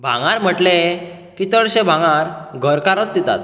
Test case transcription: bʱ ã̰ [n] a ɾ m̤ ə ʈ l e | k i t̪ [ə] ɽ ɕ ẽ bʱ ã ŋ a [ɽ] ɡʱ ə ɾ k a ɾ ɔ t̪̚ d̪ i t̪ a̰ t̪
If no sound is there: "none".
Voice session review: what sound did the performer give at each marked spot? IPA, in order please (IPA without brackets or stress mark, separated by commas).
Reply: ŋ, ə, ɾ